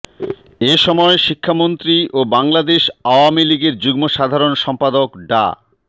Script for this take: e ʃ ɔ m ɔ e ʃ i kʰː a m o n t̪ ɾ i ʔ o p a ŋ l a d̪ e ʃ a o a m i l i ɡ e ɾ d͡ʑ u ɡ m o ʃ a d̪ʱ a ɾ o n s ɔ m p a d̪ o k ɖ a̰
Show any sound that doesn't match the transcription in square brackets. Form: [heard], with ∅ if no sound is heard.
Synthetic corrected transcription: e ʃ ɔ m ɔ e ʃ i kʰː a m o n t̪ ɾ i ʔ o [b] a ŋ l a d̪ e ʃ a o a m i l i ɡ e ɾ d͡ʑ u ɡ m o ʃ a d̪ʱ a ɾ o n [ʃ] ɔ m p a d̪ o k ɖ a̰